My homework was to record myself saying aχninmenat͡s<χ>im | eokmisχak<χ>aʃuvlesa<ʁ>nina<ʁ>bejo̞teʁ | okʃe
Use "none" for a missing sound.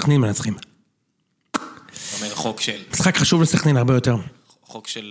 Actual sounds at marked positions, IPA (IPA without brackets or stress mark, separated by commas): χ, χ, χ, ʁ